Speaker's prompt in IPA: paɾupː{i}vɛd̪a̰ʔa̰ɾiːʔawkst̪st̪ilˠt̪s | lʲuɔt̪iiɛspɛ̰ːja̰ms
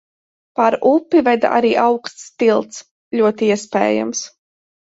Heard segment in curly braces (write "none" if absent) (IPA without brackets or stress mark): i